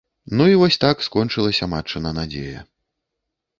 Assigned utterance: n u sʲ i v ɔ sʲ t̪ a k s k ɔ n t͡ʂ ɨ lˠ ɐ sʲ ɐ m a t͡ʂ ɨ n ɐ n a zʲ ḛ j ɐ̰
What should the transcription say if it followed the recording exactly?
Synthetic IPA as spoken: n u i v ɔ sʲ t̪ a k s k ɔ n t͡ʂ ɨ lˠ ɐ sʲ ɐ m a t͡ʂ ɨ n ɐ n a d͡zʲ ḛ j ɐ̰